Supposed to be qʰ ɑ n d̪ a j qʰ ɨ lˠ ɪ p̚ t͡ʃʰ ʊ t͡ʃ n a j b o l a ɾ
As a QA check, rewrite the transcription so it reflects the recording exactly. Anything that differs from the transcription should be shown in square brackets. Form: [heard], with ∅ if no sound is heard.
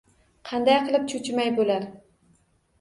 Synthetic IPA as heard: qʰ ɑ n d̪ a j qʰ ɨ lˠ ɪ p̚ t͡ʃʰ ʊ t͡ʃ [m] a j b o l a ɾ